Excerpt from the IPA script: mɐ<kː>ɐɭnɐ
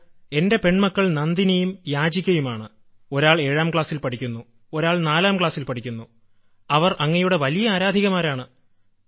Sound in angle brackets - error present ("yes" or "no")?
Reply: no